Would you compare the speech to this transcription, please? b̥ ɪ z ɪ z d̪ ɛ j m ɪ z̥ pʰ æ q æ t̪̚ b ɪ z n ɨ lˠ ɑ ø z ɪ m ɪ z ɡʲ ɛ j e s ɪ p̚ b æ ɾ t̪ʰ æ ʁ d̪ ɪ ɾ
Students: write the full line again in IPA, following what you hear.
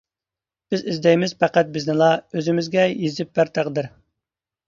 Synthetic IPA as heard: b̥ ɪ z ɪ z d̪ ɛ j m ɪ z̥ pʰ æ q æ t̪̚ b ɪ z n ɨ lˠ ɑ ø z ɪ m ɪ z ɡʲ ɛ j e z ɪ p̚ b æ ɾ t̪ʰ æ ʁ d̪ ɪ ɾ